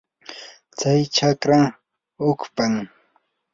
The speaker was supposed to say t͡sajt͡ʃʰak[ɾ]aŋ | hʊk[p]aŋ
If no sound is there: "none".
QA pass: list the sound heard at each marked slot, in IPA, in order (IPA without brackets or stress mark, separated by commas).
ɾ, p